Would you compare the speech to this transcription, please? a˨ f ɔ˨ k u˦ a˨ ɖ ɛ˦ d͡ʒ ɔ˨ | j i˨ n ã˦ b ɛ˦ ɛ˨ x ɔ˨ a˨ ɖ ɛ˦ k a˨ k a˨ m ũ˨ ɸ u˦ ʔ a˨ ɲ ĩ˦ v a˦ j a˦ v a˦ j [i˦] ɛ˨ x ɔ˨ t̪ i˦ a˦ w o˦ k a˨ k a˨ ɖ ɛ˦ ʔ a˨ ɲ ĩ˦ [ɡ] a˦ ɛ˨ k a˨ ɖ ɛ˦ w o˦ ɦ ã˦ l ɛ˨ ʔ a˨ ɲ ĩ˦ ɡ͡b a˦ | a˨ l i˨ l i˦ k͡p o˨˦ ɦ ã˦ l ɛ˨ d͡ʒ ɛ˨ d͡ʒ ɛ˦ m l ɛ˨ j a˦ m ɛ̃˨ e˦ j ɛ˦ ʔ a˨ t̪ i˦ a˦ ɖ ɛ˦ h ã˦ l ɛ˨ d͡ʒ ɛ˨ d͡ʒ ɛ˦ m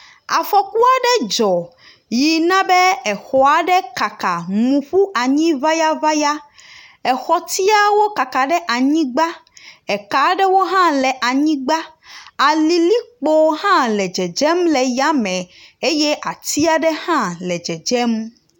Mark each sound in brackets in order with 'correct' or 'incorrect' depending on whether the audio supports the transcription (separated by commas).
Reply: incorrect, incorrect